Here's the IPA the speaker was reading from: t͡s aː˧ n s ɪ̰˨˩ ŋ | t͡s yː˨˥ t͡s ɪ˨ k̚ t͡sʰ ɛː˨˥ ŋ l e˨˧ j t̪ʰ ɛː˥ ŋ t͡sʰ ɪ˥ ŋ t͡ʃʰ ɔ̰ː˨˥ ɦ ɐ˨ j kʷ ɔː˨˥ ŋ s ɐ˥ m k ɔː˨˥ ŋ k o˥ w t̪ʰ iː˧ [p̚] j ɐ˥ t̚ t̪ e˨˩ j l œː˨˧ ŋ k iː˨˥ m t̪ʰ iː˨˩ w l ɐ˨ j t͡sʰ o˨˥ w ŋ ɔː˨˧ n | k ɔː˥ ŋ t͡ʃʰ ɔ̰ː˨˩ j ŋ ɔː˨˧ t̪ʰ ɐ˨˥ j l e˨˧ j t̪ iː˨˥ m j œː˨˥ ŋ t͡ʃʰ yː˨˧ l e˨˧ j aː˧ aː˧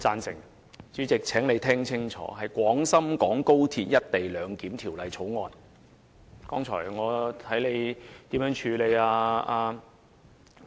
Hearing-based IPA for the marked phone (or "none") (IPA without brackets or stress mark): t̚